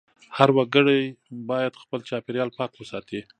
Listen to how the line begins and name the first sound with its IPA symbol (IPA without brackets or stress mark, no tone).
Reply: h